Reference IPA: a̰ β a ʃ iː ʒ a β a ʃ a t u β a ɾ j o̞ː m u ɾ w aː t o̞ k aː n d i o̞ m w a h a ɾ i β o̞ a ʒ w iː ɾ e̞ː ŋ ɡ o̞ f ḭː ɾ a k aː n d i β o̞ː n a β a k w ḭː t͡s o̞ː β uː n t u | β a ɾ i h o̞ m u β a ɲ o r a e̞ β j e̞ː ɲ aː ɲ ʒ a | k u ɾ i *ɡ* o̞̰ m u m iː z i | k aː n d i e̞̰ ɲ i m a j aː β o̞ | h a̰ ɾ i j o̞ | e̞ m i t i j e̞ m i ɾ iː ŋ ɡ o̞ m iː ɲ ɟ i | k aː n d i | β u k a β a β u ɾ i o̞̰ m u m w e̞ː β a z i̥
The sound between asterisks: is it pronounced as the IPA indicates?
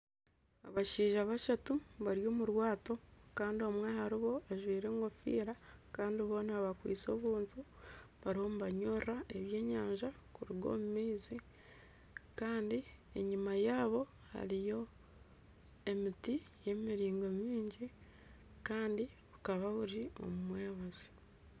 yes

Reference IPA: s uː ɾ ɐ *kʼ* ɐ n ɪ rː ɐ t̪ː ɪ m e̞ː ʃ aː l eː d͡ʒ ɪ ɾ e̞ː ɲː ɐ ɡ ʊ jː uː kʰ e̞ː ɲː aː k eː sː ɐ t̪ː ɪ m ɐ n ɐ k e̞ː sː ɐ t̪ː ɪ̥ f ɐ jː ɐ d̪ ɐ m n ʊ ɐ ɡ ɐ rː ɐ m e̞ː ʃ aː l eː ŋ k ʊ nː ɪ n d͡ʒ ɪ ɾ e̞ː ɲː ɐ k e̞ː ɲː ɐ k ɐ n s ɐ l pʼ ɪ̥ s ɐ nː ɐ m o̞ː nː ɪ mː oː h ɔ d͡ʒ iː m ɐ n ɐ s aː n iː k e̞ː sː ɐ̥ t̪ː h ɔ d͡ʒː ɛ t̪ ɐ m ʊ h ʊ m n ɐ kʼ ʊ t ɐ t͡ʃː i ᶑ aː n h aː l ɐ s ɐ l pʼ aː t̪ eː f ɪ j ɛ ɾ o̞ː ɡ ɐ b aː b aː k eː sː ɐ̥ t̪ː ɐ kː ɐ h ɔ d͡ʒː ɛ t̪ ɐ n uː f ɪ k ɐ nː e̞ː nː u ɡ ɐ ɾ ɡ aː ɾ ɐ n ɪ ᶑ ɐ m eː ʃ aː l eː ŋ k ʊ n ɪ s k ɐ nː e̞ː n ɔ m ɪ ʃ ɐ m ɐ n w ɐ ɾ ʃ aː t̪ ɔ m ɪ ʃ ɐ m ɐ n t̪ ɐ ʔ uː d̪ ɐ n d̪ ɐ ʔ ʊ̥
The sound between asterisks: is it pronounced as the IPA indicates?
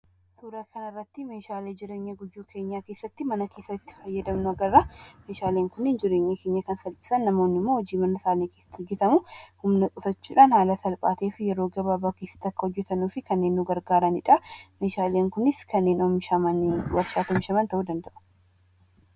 no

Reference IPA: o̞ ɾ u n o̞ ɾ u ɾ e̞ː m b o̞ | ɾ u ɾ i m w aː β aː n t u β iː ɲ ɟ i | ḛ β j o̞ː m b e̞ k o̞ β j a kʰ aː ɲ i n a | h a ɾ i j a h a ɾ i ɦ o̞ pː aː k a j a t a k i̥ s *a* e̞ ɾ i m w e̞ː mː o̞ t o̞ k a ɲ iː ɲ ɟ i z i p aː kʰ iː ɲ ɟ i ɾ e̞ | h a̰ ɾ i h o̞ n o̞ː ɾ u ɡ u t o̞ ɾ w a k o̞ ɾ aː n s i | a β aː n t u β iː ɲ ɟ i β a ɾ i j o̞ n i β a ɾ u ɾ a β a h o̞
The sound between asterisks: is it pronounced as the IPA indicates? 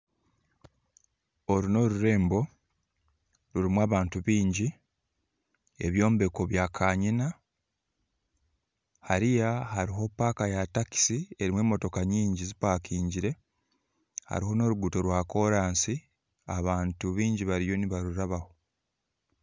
no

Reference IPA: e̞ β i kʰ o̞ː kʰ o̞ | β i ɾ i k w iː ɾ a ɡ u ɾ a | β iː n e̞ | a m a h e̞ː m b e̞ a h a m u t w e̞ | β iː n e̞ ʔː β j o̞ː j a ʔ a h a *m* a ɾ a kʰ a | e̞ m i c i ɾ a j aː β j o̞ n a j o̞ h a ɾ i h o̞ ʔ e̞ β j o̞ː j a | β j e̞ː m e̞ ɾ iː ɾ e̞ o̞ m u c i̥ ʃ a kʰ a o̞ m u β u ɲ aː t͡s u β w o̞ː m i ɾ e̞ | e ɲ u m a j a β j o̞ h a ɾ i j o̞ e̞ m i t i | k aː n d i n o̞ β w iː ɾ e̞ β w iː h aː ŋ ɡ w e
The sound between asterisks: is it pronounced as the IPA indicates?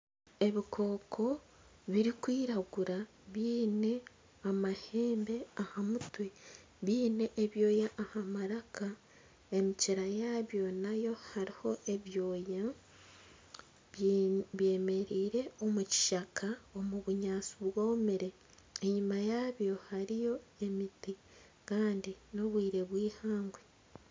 yes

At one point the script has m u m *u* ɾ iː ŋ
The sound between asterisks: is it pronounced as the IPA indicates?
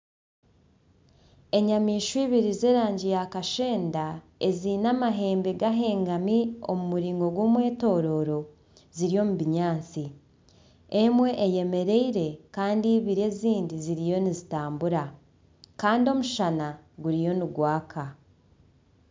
yes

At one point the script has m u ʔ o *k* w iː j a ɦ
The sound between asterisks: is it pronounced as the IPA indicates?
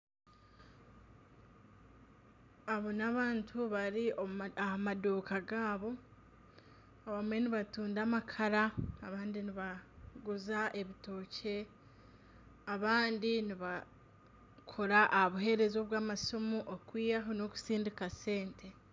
yes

